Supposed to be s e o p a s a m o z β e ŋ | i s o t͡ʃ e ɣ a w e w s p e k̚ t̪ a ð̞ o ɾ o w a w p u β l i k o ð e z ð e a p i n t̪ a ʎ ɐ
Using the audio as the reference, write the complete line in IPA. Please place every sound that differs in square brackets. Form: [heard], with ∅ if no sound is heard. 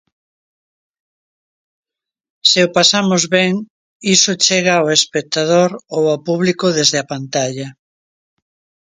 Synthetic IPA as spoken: s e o p a s a m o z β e ŋ | i s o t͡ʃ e ɣ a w e [∅] s p e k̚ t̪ a ð̞ o ɾ o w a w p u β l i k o ð e z ð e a p [a] n t̪ a ʎ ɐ